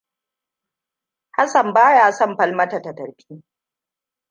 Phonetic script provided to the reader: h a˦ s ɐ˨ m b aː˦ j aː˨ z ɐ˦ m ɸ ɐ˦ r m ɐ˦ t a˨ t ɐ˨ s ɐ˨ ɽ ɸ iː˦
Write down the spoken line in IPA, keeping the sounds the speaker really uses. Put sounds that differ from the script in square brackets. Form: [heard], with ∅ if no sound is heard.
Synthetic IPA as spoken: h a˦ s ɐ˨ m b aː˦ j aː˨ [s] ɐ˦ m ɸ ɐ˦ [l] m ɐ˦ t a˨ t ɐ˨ [t] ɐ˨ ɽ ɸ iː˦